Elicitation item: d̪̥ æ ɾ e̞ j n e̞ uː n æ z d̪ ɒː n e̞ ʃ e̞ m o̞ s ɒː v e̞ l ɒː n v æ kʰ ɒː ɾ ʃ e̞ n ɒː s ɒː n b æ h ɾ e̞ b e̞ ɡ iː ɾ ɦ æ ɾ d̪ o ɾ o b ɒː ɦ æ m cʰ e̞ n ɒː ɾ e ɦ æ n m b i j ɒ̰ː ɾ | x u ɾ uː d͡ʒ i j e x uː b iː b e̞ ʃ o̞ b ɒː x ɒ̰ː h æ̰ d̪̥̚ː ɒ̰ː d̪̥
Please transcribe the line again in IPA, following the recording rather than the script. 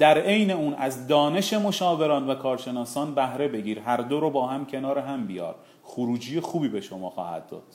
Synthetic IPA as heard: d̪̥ æ ɾ e̞ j n e̞ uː n æ z d̪ ɒː n e̞ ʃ e̞ m o̞ ʃ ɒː v e̞ ɾ ɒː n v æ kʰ ɒː ɾ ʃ e̞ n ɒː s ɒː n b æ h ɾ e̞ b e̞ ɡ iː ɾ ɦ æ ɾ d̪ o ɾ o b ɒː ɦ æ m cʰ e̞ n ɒː ɾ e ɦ æ m b i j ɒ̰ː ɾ | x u ɾ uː d͡ʒ i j e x uː b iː b e̞ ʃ o̞ m ɒː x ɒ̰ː h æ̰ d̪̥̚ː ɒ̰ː d̪̥